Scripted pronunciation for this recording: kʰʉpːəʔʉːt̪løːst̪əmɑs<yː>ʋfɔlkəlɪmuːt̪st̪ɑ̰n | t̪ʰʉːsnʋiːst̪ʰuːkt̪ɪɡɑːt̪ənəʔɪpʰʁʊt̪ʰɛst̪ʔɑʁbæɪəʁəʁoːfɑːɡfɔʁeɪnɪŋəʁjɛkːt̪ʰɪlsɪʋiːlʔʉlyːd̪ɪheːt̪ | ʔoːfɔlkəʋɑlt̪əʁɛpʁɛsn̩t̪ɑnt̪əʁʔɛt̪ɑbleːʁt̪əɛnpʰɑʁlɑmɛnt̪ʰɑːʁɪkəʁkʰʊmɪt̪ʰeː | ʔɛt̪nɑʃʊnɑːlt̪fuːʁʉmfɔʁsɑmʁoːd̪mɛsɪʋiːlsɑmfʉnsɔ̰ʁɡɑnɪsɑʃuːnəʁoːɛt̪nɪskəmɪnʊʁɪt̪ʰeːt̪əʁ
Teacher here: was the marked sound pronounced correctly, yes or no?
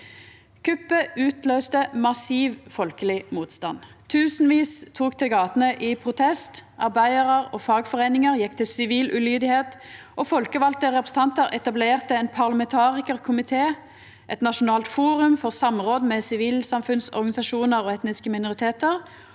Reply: no